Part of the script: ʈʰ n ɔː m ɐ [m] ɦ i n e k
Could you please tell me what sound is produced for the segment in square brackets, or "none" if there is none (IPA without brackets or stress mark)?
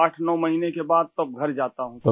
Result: none